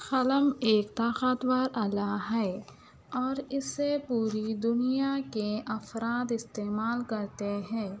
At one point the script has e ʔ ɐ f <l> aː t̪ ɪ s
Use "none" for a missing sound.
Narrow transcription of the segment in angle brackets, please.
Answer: ɾ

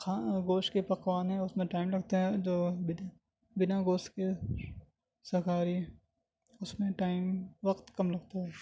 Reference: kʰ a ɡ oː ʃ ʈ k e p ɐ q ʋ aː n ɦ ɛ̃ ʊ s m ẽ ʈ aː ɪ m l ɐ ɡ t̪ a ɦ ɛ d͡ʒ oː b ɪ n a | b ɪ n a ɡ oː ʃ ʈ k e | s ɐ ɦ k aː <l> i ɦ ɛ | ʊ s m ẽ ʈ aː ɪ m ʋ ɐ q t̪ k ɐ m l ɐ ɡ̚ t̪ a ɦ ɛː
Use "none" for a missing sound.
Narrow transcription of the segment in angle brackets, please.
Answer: ɾ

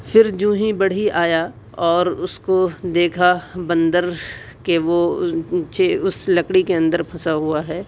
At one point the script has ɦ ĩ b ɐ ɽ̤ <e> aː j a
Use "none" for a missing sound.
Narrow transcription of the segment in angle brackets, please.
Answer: i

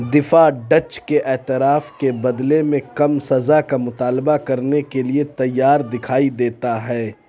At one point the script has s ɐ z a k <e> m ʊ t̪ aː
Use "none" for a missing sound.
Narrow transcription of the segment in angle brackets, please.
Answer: a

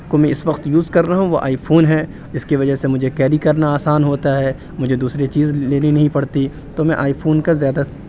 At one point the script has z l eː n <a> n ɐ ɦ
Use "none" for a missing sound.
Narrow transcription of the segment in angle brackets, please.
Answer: i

